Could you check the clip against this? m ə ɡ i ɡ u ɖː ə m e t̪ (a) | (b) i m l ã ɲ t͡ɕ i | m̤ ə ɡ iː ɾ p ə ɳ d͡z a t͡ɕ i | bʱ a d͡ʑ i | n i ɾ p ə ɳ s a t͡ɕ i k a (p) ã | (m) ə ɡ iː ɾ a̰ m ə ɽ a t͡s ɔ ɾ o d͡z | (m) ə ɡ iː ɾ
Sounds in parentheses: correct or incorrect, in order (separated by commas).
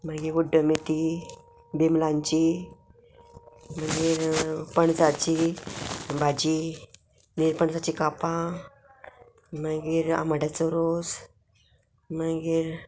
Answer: incorrect, correct, correct, correct, correct